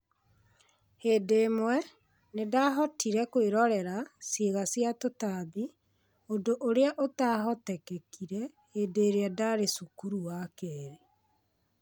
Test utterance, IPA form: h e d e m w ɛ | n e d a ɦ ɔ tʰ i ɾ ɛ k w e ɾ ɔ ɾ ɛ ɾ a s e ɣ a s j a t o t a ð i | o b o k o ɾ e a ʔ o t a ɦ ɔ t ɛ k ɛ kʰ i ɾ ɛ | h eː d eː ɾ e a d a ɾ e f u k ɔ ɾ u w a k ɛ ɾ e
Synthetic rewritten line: h e d e m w ɛ | n e d a ɦ ɔ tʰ i ɾ ɛ k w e ɾ ɔ ɾ ɛ ɾ a s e ɣ a s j a t o t a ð i | o d o ʔ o ɾ e a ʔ o t a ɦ ɔ t ɛ k ɛ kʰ i ɾ ɛ | h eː d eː ɾ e a d a ɾ e s u k u ɾ u w a k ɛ ɾ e

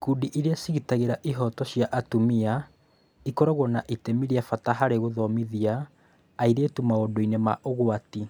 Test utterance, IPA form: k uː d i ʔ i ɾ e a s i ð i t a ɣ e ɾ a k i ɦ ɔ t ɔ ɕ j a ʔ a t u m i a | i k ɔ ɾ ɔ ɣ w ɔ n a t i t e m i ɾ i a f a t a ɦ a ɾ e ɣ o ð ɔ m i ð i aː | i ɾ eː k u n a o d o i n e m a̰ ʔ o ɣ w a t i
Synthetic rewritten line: k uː d i ʔ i ɾ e a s i ɣ i t a ɣ e ɾ a ʔ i ɦ ɔ t ɔ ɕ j a ʔ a t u m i a | i k ɔ ɾ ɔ ɣ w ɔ n a ʔ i t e m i ɾ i a f a t a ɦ a ɾ e ɣ o ð ɔ m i ð i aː | i ɾ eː t u m a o d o i n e m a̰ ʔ o ɣ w a t i

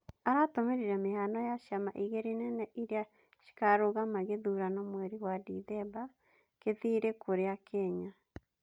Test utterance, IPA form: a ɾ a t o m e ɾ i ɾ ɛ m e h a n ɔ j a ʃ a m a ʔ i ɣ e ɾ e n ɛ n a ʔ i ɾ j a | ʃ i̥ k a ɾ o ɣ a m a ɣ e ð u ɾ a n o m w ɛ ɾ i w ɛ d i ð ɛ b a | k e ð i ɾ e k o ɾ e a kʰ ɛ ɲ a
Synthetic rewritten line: a ɾ a t o m e ɾ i ɾ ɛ m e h a n ɔ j a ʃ a m a ʔ i ɣ e ɾ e n ɛ n ɛ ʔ i ɾ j a | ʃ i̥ k a ɾ o ɣ a m a ɣ e ð u ɾ a n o m w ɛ ɾ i w a d i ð ɛ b a | k e ð i ɾ e k o ɾ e a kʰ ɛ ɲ a

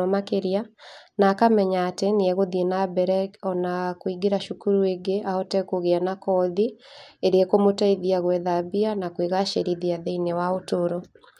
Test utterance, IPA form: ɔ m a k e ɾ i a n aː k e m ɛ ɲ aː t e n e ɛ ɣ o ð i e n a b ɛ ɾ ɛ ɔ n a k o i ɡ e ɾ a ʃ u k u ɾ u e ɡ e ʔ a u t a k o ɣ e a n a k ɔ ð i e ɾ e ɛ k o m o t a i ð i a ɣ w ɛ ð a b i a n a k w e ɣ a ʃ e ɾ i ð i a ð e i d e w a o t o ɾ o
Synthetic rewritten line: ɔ m a k e ɾ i a n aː k a m ɛ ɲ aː t e n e ɛ ɣ o ð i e n a b ɛ ɾ ɛ ɔ n a k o i ɡ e ɾ a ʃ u k u ɾ u e ɡ e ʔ a ɔ t ɛ k o ɣ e a n a k ɔ ð i e ɾ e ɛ k o m o t a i ð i a ɣ w ɛ ð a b i a n a k w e ɣ a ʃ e ɾ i ð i a ð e i n e w a o t o ɾ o

